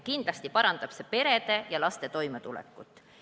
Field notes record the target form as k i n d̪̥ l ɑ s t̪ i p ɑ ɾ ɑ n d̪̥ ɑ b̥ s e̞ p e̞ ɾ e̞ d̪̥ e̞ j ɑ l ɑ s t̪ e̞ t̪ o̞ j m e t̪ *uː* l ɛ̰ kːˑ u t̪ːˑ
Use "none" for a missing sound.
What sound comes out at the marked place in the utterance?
u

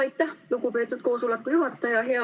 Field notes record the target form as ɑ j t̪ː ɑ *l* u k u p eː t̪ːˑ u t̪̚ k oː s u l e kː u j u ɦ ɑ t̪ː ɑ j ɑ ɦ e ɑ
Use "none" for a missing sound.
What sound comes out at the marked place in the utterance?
l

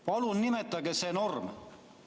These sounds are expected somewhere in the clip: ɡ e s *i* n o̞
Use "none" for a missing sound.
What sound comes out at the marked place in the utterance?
e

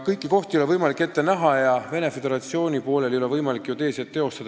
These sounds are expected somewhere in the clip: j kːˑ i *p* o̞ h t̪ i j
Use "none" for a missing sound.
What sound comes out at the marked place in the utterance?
k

